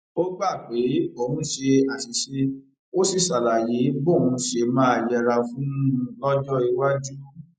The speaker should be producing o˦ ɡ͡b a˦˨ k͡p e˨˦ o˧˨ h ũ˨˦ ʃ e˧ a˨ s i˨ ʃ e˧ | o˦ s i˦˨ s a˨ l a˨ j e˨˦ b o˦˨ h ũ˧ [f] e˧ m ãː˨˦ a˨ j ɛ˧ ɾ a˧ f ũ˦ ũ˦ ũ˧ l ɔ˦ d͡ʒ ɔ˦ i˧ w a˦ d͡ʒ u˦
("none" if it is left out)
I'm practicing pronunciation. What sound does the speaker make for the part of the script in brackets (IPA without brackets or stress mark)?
ʃ